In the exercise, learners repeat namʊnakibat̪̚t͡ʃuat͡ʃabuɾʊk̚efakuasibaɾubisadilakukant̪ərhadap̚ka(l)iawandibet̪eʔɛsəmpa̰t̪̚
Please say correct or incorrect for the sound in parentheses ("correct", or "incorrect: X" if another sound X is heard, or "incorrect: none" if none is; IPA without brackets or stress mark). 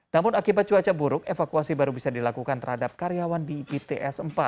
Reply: incorrect: ɾ